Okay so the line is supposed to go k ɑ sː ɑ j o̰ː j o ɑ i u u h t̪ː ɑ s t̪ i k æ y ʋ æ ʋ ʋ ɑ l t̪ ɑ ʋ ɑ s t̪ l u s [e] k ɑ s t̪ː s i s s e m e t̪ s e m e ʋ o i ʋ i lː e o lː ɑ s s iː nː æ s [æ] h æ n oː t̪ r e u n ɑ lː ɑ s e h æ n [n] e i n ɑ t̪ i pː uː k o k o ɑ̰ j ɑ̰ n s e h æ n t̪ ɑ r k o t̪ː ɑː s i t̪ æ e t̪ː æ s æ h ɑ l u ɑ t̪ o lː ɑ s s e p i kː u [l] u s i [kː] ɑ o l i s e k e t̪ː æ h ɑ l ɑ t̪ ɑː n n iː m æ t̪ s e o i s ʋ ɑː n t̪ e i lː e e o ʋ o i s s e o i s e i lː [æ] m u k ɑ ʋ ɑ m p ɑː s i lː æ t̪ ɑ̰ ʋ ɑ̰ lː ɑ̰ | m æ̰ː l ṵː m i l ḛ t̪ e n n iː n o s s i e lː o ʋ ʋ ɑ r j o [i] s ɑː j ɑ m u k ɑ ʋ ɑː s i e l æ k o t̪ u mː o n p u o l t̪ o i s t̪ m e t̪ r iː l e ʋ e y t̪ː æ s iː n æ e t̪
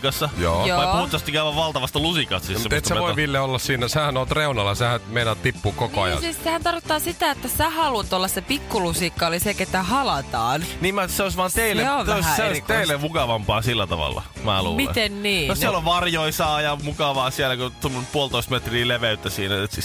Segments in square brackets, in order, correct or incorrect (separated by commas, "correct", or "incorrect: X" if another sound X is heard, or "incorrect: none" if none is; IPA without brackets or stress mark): incorrect: i, incorrect: e, incorrect: m, correct, correct, incorrect: e, correct